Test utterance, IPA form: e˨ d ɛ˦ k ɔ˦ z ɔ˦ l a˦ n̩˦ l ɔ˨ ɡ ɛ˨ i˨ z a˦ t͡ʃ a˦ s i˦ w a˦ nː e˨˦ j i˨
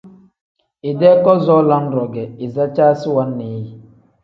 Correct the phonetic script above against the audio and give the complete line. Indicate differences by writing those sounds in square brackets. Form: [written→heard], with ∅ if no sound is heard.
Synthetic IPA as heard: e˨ d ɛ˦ k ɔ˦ z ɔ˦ l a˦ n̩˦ [l→ɾ] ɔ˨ ɡ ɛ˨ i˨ z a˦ t͡ʃ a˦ s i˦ w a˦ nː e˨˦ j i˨